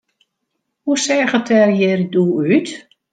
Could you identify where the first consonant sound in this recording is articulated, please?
glottal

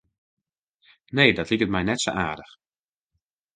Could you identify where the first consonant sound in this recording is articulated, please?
alveolar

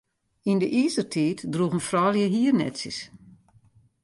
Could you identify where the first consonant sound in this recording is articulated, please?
alveolar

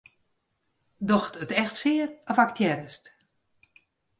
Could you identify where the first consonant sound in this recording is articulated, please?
alveolar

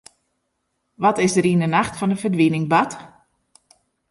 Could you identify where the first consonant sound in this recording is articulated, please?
labial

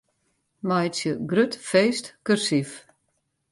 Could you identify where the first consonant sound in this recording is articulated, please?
labial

